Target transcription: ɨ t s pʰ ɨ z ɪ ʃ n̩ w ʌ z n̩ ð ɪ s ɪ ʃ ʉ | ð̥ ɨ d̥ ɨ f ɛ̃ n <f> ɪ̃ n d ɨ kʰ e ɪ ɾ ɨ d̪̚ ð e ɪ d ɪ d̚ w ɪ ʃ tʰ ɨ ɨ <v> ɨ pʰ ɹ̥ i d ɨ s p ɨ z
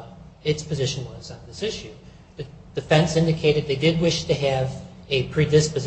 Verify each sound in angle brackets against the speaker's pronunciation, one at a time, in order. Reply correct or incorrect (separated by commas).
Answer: incorrect, correct